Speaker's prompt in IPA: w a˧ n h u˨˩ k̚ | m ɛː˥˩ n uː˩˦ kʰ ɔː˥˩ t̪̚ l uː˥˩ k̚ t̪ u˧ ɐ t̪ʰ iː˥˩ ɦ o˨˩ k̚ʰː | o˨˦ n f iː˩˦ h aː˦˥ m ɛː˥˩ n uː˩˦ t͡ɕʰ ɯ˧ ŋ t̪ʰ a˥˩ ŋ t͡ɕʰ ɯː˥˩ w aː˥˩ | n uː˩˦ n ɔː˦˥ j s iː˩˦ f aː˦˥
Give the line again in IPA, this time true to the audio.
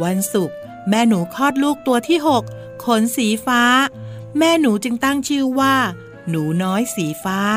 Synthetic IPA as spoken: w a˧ n s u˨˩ k̚ | m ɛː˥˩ n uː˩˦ kʰ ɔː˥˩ t̪̚ l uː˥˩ k̚ t̪ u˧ ɐ t̪ʰ iː˥˩ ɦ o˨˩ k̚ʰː | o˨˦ n s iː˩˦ f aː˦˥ m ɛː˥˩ n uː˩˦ t͡ɕ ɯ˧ ŋ t̪ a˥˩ ŋ t͡ɕʰ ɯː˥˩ w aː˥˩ | n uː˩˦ n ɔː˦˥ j s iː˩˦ f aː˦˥